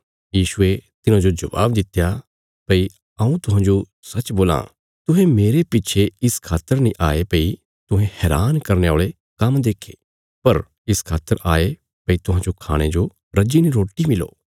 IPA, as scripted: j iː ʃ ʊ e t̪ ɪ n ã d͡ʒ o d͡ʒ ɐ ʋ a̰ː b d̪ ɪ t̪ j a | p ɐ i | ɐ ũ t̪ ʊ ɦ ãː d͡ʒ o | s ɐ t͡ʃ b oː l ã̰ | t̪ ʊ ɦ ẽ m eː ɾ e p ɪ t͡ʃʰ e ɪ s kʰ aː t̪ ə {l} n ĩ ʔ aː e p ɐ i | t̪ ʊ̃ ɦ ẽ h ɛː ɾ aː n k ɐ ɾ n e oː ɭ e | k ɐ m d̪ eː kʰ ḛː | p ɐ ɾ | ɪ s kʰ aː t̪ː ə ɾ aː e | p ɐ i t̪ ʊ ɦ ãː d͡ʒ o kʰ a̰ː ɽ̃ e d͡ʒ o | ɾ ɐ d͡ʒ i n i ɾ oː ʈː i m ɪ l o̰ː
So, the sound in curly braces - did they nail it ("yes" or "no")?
no